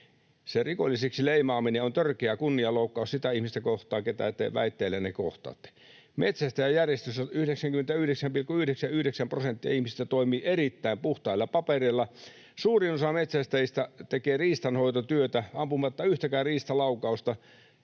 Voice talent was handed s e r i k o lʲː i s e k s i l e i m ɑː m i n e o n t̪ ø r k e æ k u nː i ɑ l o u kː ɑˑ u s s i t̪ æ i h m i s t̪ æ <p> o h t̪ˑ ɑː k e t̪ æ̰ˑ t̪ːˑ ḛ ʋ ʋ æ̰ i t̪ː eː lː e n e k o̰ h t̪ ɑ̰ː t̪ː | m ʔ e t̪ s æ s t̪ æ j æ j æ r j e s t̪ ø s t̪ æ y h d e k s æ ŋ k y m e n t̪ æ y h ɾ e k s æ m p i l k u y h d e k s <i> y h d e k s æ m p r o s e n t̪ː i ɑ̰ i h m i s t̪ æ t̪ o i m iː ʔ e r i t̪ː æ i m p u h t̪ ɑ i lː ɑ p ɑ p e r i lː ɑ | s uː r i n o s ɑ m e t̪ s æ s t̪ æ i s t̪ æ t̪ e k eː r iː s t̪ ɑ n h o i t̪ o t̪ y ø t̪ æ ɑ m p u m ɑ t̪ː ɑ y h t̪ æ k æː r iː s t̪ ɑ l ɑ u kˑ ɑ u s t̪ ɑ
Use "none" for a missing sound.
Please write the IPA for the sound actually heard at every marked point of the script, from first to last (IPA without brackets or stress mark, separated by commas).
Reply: k, æ